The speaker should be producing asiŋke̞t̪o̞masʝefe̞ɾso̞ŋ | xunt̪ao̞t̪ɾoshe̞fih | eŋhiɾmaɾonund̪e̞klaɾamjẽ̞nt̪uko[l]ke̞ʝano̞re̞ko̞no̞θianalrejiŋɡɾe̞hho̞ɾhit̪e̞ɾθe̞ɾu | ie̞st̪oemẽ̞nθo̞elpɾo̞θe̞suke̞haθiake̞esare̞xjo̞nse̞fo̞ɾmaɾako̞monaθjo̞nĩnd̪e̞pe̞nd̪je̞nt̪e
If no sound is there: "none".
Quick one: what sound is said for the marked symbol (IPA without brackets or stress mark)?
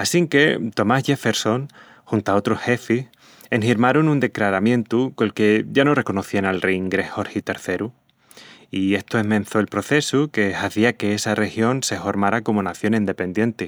l